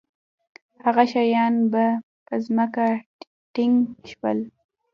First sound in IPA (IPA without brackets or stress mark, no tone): h